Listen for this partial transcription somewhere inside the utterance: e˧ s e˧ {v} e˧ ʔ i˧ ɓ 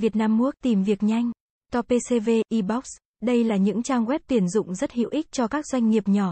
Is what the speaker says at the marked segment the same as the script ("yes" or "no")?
yes